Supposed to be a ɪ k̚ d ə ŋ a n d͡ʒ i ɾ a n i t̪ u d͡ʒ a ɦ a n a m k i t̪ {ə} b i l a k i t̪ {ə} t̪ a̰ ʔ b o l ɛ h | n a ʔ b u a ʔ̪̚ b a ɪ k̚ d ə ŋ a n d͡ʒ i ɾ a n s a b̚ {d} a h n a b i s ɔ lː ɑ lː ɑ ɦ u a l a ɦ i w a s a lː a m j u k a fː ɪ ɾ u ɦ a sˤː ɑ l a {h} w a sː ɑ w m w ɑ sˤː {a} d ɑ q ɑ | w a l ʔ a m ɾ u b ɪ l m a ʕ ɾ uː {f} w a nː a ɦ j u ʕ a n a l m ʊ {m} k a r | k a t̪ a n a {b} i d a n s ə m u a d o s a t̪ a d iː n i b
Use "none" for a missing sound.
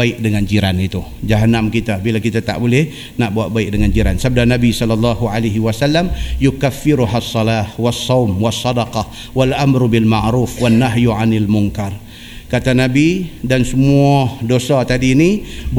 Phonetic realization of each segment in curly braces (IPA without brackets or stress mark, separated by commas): a, a, d, h, ɑ, f, ŋ, b